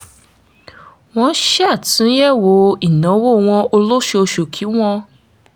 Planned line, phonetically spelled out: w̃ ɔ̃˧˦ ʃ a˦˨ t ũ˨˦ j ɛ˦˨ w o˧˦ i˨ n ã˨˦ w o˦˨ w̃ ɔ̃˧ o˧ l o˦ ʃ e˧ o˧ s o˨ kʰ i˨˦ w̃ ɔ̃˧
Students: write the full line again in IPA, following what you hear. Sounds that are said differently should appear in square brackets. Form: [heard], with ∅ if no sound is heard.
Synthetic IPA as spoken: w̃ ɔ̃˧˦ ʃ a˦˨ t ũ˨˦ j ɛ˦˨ w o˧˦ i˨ n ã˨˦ w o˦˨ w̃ ɔ̃˧ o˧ l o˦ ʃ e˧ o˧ [ʃ] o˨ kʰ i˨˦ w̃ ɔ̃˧